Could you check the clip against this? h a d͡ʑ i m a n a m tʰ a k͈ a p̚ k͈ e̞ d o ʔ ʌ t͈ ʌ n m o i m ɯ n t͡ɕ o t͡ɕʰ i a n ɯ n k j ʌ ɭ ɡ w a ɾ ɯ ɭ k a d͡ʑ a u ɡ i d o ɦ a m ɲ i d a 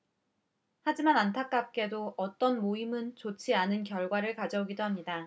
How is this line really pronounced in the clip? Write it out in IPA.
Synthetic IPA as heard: h a d͡ʑ i m a n a n tʰ a k͈ a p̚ k͈ e̞ d o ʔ ʌ t͈ ʌ n m o i m ɯ n t͡ɕ o t͡ɕʰ i a n ɯ n k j ʌ ɭ ɡ w a ɾ ɯ ɭ k a d͡ʑ ʌ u ɡ i d o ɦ a m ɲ i d a

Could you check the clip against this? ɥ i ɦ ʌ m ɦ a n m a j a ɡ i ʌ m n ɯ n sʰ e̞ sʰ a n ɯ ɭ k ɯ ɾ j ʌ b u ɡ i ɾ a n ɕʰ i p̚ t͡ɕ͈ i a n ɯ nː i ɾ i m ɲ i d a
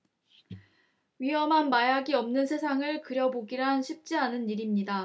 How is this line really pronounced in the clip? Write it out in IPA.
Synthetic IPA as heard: ɥ i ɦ ʌ m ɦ a n m a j a ɡ i ʌ m n ɯ n sʰ e̞ sʰ a ŋ ɯ ɭ k ɯ ɾ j ʌ b o ɡ i ɾ a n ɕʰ i p̚ t͡ɕ͈ i a n ɯ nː i ɾ i m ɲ i d a

